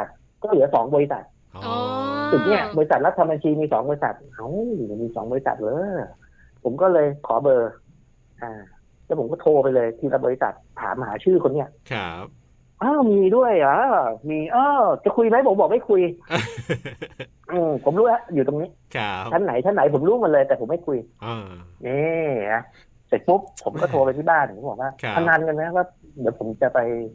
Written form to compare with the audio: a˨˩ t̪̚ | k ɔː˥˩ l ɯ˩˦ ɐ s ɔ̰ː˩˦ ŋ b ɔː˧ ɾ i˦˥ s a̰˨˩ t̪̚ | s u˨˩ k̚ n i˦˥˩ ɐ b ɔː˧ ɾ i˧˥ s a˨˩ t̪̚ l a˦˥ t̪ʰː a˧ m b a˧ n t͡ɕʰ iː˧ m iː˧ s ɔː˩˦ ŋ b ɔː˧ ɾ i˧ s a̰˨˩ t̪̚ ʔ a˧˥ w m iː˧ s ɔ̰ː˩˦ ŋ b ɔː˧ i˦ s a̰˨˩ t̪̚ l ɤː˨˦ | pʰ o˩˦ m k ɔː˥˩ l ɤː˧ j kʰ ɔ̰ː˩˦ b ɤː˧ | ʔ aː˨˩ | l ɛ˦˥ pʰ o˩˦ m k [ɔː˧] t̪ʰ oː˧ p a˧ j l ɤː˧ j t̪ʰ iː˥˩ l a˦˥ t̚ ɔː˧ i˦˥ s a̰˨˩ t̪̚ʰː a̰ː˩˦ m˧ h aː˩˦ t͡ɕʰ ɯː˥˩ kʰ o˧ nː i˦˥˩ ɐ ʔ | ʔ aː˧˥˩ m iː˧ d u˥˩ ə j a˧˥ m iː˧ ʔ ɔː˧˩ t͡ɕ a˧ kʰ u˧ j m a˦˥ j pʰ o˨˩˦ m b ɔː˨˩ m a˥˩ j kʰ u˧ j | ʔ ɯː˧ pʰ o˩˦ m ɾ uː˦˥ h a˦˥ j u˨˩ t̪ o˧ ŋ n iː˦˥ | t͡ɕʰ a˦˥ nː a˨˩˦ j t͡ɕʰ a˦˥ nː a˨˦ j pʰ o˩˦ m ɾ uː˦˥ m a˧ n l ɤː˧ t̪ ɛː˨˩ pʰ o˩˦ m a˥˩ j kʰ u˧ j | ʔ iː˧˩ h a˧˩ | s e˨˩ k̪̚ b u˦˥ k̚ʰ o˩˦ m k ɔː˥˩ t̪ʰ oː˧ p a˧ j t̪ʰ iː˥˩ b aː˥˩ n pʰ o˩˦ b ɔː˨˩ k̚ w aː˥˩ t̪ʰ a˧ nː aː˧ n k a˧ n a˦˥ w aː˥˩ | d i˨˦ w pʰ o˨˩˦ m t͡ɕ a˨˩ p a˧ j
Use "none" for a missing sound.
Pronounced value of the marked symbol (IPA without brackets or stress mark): ɔː˥˩